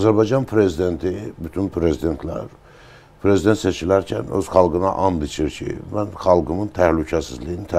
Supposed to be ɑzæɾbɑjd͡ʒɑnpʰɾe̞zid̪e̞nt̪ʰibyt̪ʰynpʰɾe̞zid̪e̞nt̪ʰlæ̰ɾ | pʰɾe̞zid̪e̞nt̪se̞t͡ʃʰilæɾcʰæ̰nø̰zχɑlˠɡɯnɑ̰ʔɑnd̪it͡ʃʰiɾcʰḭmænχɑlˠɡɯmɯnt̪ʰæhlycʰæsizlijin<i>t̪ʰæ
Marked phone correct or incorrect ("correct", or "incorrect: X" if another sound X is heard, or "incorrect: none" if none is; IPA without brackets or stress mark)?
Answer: correct